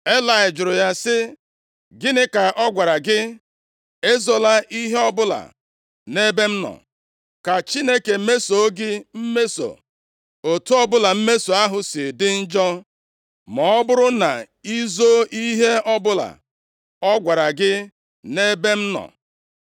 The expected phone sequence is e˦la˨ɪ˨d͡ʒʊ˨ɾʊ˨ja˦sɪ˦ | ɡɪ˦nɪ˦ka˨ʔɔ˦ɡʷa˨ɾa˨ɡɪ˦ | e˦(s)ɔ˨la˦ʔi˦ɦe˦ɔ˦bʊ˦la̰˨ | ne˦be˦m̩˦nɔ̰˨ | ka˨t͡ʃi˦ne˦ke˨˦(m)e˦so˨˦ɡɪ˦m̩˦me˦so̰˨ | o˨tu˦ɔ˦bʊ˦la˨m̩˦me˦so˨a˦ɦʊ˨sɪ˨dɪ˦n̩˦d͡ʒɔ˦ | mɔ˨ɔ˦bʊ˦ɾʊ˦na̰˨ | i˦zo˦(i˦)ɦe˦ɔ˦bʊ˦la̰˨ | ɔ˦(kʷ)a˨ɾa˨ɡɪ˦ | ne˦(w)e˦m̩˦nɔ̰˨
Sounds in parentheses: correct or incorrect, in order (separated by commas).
incorrect, correct, correct, incorrect, incorrect